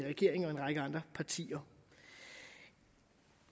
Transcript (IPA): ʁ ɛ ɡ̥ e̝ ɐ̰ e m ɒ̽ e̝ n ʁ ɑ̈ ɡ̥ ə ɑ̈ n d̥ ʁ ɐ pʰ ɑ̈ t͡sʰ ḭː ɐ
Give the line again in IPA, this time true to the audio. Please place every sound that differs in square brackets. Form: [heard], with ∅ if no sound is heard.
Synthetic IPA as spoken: ʁ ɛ ɡ̥ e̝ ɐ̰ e [ŋ] ɒ̽ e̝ n ʁ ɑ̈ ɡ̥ ə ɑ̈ n d̥ ʁ ɐ pʰ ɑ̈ t͡sʰ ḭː ɐ